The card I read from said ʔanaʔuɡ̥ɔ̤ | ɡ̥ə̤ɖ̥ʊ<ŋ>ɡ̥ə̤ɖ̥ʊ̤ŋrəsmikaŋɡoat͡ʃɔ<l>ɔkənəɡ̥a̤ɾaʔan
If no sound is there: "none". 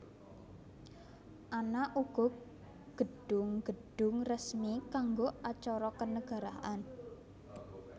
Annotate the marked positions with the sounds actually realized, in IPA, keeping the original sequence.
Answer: ŋ, ɾ

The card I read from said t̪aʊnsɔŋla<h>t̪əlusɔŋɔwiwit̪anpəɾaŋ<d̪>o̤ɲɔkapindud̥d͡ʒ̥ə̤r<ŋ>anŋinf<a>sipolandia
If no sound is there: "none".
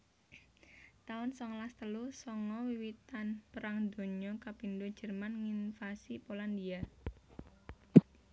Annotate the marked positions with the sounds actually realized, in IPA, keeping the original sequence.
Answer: s, d̪, m, a

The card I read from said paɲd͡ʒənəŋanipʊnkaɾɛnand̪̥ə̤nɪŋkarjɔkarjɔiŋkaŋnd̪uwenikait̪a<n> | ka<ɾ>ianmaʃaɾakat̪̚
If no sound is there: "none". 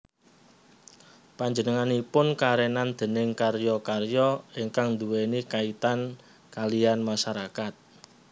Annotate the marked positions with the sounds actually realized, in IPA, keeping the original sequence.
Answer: n, l

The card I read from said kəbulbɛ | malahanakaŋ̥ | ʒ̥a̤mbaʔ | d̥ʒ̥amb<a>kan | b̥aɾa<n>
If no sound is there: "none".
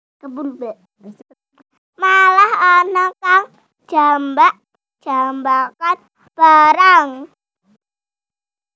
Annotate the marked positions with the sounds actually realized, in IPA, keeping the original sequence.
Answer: a, ŋ

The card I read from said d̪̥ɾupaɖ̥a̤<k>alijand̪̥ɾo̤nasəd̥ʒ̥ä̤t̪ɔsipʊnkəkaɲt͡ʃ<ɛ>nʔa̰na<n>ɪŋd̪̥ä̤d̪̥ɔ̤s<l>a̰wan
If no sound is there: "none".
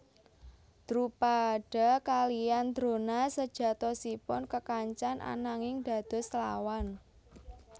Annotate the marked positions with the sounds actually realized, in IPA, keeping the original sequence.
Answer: k, a, ŋ, l

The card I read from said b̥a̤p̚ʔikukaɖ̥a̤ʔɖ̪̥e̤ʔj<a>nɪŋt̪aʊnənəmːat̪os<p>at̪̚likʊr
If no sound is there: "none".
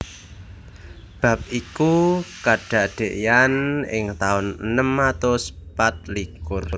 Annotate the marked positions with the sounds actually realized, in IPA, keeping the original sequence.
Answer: a, p

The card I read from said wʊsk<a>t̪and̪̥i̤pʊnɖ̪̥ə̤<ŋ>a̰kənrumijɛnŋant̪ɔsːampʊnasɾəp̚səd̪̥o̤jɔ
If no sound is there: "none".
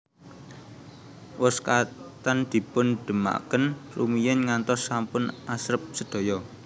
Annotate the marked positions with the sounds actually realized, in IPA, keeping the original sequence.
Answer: a, m

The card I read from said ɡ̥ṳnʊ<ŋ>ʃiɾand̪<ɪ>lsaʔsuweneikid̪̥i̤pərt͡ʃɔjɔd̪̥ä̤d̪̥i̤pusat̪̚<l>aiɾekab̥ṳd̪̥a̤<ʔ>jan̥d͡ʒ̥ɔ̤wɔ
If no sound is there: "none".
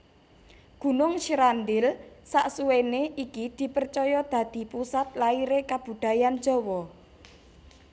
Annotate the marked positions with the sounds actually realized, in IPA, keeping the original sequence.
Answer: ŋ, ɪ, l, none

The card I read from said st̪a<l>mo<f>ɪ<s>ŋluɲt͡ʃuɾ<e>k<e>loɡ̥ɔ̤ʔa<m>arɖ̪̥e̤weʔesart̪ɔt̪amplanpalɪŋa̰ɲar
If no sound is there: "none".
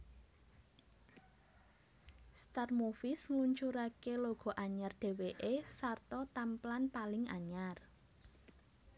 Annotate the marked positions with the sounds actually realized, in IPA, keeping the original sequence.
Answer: r, f, s, a, e, ɲ

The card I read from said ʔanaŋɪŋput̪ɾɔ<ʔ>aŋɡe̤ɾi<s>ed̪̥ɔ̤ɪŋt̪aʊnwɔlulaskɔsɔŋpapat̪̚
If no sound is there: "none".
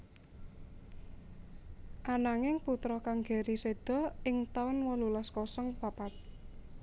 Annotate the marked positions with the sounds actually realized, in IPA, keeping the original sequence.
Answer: k, s

